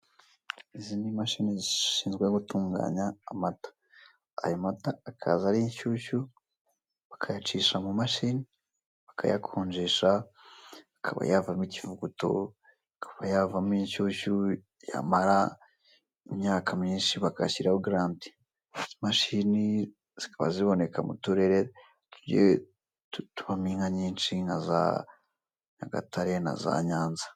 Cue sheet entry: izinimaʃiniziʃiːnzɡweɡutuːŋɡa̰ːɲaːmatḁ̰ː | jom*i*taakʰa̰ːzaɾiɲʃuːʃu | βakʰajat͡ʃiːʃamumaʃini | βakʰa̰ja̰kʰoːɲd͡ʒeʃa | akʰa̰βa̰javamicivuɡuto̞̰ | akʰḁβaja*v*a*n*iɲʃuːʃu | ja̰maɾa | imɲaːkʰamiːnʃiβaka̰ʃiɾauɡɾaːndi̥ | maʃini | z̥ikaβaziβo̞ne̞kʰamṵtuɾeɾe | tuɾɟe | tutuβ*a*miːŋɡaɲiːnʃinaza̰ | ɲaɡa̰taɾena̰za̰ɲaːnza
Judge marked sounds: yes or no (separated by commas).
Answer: no, yes, no, yes